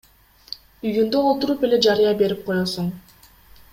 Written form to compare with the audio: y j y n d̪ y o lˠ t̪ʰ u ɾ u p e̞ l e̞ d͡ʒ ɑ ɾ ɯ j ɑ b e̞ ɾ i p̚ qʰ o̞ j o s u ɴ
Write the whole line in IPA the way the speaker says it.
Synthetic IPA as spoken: y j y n d̪ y o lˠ t̪ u ɾ u p e̞ l e̞ d͡ʒ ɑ ɾ ɯ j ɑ b e̞ ɾ i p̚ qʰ o̞ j o s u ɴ

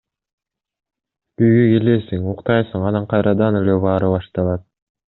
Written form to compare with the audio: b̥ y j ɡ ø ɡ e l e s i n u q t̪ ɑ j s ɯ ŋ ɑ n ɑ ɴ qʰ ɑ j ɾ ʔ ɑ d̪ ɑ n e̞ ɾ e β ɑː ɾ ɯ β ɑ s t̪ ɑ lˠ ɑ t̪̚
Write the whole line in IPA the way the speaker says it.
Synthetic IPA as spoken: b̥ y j ɡ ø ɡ e l e s i ŋ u q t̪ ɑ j s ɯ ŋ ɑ n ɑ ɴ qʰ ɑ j ɾ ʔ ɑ d̪ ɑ n e̞ l e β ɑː ɾ ɯ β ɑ ʃ t̪ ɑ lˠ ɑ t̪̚

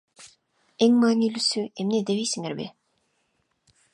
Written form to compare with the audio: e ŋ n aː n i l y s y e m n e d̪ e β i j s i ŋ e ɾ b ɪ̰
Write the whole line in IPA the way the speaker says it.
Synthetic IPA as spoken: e ŋ m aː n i l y s y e m n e d̪ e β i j s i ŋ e ɾ b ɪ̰

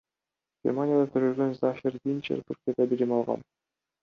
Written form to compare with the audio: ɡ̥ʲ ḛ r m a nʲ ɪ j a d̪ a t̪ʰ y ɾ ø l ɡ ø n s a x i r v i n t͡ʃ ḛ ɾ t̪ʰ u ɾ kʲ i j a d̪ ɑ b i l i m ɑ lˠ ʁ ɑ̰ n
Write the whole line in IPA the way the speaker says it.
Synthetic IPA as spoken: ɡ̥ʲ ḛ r m a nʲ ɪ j a d̪ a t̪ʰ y ɾ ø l ɡ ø n z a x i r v i n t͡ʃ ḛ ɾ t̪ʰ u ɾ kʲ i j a d̪ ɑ b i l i m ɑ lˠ ʁ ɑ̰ n

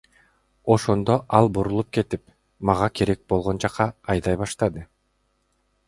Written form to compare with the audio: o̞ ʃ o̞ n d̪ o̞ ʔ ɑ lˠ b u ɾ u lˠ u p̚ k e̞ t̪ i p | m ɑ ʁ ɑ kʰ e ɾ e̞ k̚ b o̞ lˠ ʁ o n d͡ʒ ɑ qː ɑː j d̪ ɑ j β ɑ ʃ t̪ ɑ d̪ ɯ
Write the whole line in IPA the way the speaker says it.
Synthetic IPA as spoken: o̞ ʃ o̞ n d̪ o̞ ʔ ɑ lˠ b u ɾ u lˠ u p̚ k e̞ t̪ i p | m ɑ ʁ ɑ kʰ e ɾ e̞ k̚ b o̞ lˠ ʁ o n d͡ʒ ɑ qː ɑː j d̪ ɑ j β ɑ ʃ t̪ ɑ d̪ ɯ

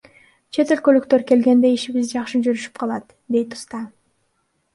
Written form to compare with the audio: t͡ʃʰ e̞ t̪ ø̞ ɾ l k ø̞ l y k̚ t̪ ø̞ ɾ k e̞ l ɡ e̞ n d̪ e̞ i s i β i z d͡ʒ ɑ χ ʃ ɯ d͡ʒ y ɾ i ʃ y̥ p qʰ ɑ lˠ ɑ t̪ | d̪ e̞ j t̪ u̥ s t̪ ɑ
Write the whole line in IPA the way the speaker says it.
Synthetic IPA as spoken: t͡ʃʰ e̞ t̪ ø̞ l k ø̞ l y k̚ t̪ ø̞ ɾ k e̞ l ɡ e̞ n d̪ e̞ i ʃ i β i z d͡ʒ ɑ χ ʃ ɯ d͡ʒ y ɾ y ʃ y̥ p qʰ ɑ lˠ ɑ t̪ | d̪ e̞ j t̪ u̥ s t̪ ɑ

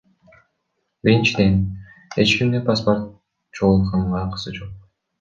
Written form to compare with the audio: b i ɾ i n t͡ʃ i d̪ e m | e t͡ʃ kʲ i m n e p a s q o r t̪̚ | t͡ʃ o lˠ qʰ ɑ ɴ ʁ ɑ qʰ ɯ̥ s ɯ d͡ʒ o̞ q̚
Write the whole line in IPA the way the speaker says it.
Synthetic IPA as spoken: b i ɾ i n t͡ʃ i d̪ e n | e t͡ʃ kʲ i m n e p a s p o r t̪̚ | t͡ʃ o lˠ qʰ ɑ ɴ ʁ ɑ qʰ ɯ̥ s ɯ d͡ʒ o̞ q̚

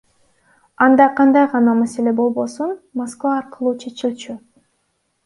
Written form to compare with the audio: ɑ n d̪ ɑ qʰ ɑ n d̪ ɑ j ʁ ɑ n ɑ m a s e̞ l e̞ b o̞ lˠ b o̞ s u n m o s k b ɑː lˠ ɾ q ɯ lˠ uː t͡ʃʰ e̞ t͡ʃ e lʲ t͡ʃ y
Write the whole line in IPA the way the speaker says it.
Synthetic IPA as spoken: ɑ n d̪ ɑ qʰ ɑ n d̪ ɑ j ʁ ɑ n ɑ m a s e̞ l e̞ b o̞ lˠ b o̞ s u n m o s k v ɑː ɾ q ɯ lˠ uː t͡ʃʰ e̞ t͡ʃ i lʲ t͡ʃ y

